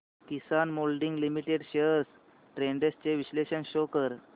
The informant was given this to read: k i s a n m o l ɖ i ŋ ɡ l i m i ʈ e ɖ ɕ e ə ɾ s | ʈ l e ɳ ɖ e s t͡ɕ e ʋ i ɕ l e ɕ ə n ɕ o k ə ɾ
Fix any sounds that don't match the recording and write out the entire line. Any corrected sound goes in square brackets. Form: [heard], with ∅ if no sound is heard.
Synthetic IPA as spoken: k i s a n m o l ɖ i ŋ ɡ l i m i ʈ e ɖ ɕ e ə ɾ s | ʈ [ɾ] e ɳ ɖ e s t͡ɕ e ʋ i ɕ l e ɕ ə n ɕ o k ə ɾ